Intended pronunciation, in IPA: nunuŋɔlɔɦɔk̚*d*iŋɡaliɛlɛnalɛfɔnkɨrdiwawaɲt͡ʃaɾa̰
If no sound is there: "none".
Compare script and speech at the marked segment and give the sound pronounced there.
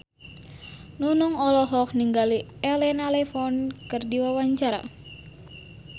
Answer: n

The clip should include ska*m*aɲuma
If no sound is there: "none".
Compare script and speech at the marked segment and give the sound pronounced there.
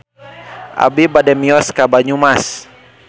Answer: b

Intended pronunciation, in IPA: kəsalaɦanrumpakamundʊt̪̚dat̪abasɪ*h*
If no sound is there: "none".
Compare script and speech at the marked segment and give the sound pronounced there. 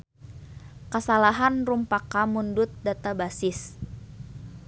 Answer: s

